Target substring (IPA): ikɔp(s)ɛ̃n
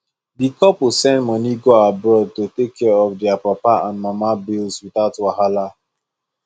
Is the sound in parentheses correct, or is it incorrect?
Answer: correct